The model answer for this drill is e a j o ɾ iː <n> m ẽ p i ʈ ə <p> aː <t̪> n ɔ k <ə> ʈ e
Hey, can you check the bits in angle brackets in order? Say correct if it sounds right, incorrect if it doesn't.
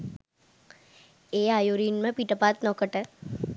correct, correct, correct, correct

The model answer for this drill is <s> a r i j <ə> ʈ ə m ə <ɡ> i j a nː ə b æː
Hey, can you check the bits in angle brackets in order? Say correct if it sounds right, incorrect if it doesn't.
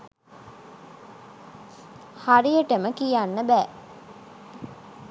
incorrect, correct, incorrect

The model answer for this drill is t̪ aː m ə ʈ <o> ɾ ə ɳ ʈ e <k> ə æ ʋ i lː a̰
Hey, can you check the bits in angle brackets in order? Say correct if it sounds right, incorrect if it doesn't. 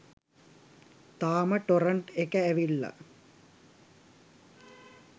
correct, correct

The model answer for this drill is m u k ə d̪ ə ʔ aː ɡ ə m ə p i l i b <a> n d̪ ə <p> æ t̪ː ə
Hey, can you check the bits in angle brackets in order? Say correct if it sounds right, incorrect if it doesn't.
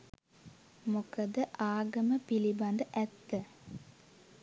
correct, incorrect

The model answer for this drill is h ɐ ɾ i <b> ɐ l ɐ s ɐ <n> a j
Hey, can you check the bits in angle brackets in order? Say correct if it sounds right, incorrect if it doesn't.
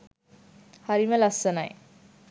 incorrect, correct

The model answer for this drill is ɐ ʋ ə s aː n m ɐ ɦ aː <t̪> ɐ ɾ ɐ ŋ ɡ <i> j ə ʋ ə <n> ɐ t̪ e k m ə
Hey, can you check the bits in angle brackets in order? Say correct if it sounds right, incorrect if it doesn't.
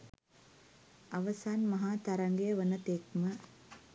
correct, incorrect, correct

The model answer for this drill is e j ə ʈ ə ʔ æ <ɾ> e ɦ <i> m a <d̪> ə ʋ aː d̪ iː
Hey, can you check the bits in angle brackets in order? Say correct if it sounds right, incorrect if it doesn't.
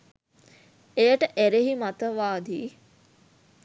correct, correct, incorrect

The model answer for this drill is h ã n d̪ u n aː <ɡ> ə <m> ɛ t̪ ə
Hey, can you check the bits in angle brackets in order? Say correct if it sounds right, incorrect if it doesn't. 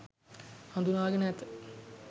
correct, incorrect

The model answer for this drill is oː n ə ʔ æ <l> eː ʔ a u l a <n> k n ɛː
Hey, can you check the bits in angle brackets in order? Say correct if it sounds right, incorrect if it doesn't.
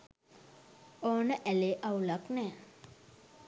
correct, incorrect

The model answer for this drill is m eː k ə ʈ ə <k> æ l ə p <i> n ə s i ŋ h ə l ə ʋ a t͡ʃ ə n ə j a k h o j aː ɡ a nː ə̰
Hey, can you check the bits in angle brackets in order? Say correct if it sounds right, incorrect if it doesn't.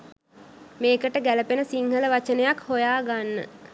incorrect, incorrect

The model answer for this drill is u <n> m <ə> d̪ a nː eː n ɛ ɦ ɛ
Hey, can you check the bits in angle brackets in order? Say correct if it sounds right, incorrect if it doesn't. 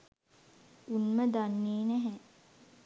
correct, correct

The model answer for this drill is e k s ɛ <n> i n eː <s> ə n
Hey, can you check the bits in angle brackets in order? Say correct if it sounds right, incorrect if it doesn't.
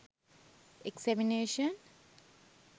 incorrect, incorrect

